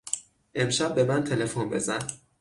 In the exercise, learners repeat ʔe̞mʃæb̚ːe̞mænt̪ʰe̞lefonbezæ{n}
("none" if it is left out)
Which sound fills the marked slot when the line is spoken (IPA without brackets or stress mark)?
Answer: n